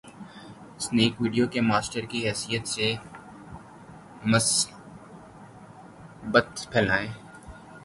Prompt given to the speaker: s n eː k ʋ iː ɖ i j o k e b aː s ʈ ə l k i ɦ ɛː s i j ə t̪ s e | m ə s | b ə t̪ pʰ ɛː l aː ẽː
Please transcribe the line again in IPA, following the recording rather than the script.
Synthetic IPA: s n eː k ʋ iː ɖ i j o k e m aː s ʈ ə ɾ k i ɦ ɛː s i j ə t̪ s e | m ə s | b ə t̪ pʰ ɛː l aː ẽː

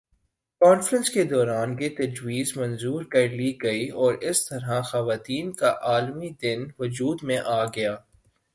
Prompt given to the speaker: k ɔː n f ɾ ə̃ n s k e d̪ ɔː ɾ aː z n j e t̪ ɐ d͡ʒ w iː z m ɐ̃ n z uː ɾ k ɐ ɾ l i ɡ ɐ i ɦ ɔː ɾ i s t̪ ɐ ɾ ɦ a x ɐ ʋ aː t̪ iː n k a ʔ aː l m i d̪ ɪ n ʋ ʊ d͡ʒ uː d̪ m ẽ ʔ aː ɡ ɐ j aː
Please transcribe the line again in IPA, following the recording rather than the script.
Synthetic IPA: k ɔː n f ɾ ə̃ n s k e d̪ ɔː ɾ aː n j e t̪ ɐ d͡ʒ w iː z m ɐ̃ n z uː ɾ k ɐ ɾ l i ɡ ɐ i ɔː ɾ ɪ s t̪ ɐ ɾ ɦ a x ɐ ʋ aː t̪ iː n k a ʔ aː l m i d̪ ɪ n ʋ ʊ d͡ʒ uː d̪ m ẽ ʔ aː ɡ ɐ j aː

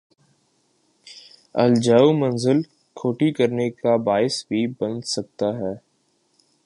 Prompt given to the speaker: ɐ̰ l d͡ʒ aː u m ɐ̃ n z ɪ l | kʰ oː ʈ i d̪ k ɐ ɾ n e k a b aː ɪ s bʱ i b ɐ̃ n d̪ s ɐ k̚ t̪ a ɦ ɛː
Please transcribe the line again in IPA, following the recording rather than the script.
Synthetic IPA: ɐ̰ l d͡ʒ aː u m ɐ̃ n z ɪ l | kʰ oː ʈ i k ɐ ɾ n e k a b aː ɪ s bʱ i b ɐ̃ n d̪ s ɐ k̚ t̪ a ɦ ɛː

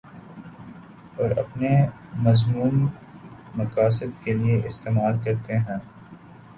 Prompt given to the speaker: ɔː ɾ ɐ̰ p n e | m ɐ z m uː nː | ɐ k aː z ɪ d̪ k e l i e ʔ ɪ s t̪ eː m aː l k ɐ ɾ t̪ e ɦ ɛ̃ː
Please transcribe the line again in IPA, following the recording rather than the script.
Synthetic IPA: ɔː ɾ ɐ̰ p n e | m ɐ z m uː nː | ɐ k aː s ɪ d̪ k e l i e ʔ ɪ s t̪ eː m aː l k ɐ ɾ t̪ e ɦ ɛ̃ː

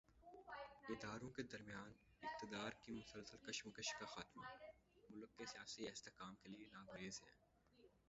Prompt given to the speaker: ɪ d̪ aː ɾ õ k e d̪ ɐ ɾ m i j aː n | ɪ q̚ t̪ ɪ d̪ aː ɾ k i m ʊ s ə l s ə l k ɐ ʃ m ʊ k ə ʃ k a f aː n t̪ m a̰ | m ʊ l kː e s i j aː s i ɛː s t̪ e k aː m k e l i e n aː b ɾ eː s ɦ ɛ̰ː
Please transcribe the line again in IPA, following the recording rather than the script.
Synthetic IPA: ɪ d̪ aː ɾ õ k e d̪ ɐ ɾ m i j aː n | ɪ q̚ t̪ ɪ d̪ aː ɾ k i m ʊ s ə l s ə l k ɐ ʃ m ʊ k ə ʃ k a x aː t̪ m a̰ | m ʊ l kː e s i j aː s i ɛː s t̪ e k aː m k e l i e n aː ɡ ɾ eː z ɦ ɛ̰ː

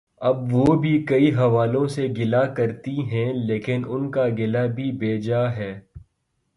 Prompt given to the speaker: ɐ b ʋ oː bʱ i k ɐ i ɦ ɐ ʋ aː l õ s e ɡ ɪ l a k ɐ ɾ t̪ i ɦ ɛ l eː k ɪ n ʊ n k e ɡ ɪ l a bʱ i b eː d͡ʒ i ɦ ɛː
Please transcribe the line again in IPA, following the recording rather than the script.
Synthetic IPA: ɐ b ʋ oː bʱ i k ɐ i ɦ ɐ ʋ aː l õ s e ɡ ɪ l a k ɐ ɾ t̪ i ɦ ɛ̃ l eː k ɪ n ʊ n k a ɡ ɪ l a bʱ i b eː d͡ʒ a ɦ ɛː

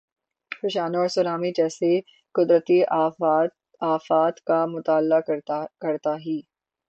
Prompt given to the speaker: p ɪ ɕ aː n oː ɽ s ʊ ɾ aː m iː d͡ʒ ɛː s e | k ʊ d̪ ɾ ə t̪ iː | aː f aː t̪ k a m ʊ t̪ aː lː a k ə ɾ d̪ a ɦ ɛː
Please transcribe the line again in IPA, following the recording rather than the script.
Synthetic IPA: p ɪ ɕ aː n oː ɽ s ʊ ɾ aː m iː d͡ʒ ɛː s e | k ʊ d̪ ɾ ə t̪ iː | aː f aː t̪ k a m ʊ t̪ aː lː a k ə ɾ t̪ a ɦ iː

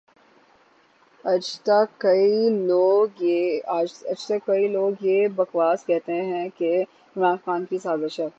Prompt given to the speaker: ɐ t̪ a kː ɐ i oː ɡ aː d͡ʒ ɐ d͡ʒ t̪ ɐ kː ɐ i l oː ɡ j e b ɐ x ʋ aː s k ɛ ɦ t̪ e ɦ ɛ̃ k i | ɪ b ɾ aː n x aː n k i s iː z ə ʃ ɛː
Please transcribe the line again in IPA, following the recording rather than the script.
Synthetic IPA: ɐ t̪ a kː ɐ i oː ɡ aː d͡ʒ ɐ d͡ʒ t̪ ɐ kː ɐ i l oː ɡ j e b ɐ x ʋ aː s k ɛ ɦ t̪ e ɦ ɛ̃ k e | ɪ m ɾ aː n x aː n k i s aː z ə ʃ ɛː

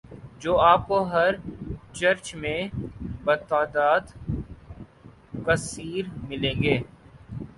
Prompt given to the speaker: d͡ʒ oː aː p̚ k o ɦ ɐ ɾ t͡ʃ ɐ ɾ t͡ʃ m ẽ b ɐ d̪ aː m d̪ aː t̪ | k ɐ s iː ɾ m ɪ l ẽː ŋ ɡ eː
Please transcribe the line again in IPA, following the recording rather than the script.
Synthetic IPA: d͡ʒ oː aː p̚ k o ɦ ɐ ɾ t͡ʃ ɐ ɾ t͡ʃ m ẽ b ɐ t̪ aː d̪ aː d̪ | k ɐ s iː ɾ m ɪ l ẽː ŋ ɡ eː

